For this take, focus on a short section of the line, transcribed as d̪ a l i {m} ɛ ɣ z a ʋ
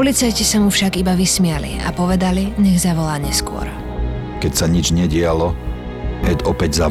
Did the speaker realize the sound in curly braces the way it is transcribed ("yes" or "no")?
no